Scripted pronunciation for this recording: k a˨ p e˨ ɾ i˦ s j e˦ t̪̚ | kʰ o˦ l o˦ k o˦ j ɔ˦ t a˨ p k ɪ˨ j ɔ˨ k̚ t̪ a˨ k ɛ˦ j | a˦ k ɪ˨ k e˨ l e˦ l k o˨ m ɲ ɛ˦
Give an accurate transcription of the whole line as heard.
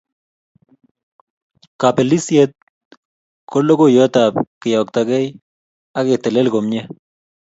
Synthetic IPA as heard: k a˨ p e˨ l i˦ s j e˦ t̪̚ | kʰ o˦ l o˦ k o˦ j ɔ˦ t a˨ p k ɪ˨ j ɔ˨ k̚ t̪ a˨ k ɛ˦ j | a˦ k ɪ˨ t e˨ l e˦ l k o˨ m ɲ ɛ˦